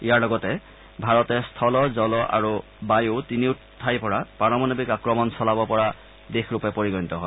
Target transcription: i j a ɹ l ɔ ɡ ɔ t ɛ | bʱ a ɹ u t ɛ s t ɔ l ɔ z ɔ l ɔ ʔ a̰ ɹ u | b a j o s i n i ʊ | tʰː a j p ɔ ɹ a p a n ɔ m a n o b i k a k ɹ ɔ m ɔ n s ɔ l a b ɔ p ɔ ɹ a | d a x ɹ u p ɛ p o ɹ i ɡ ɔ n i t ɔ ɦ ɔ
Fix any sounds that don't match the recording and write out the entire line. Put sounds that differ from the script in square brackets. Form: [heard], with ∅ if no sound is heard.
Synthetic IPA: i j a ɹ l ɔ ɡ ɔ t ɛ | bʱ a ɹ [ɔ] t ɛ s [tʰ] ɔ l ɔ z ɔ l ɔ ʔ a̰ ɹ u | b a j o [t] i n i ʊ | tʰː a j p ɔ ɹ a p a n ɔ m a n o b i k a k ɹ ɔ m ɔ n s ɔ l a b ɔ p ɔ ɹ a | d [e] x ɹ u p ɛ p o ɹ i ɡ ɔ n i t ɔ ɦ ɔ